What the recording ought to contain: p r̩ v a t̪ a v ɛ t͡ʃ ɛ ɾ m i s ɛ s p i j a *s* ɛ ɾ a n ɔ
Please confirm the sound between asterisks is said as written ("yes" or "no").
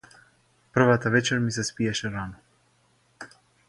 no